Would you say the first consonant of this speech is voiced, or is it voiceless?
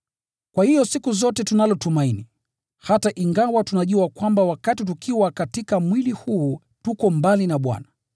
voiceless